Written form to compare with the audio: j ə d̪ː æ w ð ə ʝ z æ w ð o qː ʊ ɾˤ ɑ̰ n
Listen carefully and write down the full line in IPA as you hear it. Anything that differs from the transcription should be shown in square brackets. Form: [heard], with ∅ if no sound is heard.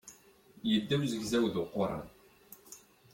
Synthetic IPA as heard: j ə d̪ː æ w [z] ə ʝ z æ w ð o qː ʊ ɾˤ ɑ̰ n